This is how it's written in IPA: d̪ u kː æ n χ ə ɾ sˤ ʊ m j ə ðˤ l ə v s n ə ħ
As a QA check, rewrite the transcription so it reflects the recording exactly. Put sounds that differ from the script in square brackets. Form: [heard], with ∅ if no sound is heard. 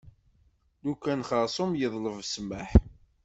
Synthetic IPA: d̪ u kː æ n χ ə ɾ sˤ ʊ m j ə ðˤ l ə v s [m] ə ħ